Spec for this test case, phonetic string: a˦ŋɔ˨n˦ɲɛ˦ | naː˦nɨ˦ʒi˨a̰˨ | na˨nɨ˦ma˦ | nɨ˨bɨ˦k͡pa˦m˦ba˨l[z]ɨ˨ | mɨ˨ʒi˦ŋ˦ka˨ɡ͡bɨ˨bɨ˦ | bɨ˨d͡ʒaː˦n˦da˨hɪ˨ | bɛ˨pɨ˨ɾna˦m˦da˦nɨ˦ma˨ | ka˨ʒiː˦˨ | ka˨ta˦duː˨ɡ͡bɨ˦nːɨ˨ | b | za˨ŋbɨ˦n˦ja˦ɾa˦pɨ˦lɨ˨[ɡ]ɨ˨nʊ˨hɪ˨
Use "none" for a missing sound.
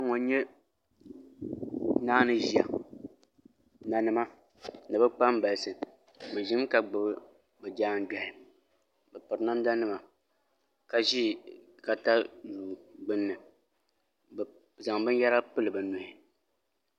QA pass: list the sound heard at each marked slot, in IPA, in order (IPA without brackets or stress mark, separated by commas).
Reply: s, b